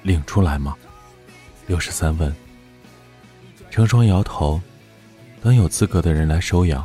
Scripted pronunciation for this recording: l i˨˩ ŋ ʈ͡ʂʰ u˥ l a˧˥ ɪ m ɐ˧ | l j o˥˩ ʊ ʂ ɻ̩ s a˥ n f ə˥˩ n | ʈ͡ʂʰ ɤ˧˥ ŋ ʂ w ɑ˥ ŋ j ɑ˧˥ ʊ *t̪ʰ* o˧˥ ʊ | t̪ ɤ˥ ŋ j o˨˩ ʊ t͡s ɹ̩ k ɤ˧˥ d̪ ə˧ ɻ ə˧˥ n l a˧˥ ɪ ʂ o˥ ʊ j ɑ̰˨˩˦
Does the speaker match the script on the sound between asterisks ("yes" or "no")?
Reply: yes